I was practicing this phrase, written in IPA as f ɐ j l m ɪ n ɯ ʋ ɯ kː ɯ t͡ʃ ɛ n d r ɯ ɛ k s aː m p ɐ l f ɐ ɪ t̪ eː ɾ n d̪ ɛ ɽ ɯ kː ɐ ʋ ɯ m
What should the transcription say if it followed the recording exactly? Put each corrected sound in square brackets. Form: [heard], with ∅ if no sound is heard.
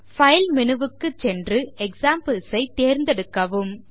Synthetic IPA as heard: f ɐ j l m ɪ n ɯ ʋ ɯ kː ɯ t͡ʃ ɛ n d r ɯ ɛ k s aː m p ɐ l [s] ɐ ɪ t̪ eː ɾ n d̪ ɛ ɽ ɯ kː ɐ ʋ ɯ m